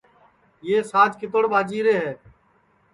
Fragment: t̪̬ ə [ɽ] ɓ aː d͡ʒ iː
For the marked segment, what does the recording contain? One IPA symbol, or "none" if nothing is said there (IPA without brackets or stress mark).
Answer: ɽ